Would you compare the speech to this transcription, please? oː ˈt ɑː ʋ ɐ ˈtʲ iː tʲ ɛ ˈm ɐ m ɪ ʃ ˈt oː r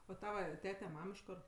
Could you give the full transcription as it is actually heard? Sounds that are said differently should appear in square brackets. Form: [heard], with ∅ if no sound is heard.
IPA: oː ˈt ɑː ʋ ɐ ˈtʲ [æː] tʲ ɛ ˈm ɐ m ɪ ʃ [ˈk] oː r